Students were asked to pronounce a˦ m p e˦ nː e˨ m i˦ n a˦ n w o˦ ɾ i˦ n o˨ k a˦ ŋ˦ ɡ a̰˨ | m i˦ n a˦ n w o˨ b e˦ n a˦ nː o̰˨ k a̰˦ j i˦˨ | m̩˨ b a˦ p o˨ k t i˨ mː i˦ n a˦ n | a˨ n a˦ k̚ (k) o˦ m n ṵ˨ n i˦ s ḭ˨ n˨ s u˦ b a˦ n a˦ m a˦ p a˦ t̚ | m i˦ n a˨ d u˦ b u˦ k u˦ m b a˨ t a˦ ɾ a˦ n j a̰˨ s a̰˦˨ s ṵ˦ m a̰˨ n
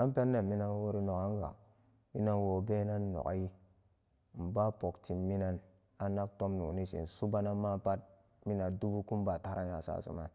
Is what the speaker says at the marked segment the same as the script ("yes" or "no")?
no